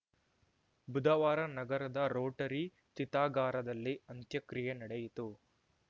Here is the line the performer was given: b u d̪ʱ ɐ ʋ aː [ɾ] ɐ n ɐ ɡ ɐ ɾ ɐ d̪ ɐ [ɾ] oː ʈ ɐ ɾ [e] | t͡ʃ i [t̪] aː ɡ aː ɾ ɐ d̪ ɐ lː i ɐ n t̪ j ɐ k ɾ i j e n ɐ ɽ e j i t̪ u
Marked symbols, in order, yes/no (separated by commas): yes, yes, no, yes